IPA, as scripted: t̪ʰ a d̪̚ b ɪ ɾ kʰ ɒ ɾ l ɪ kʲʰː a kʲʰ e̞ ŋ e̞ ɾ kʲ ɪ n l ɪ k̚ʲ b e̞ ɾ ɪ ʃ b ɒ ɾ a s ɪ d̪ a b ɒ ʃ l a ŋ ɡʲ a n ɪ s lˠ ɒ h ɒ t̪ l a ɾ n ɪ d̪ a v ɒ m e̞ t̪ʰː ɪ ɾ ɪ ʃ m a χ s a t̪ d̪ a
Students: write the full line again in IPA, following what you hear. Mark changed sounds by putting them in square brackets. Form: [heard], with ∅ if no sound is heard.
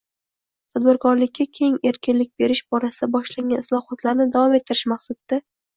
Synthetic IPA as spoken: t̪ʰ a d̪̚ b ɪ ɾ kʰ ɒ ɾ l ɪ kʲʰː a kʲʰ e̞ ŋ e̞ ɾ kʲ ɪ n l ɪ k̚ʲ b e̞ ɾ ɪ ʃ b ɒ ɾ a s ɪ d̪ a b ɒ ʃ l a ŋ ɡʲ a n ɪ s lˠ ɒ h ɒ t̪ l a ɾ n ɪ d̪ a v ɒ m e̞ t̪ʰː ɪ ɾ ɪ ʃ m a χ s a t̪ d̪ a